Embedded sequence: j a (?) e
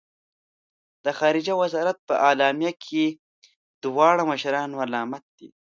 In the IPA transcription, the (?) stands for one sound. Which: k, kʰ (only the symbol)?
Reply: kʰ